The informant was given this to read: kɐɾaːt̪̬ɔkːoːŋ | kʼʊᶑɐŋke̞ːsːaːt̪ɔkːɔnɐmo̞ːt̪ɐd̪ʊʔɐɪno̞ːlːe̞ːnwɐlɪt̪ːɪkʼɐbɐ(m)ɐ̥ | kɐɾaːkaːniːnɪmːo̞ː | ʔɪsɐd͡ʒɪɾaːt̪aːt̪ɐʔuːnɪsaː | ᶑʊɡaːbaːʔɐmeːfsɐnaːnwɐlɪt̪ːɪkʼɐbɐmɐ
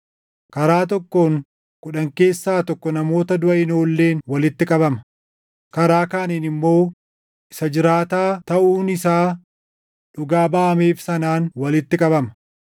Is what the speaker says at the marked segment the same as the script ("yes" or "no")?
yes